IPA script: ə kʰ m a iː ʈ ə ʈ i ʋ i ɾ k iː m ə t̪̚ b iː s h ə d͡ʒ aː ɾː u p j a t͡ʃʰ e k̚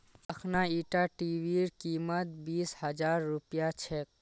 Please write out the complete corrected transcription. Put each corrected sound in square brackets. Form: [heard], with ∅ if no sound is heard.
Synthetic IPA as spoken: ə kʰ [n] a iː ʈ [a] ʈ i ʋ i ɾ k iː m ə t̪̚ b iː s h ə d͡ʒ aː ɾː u p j a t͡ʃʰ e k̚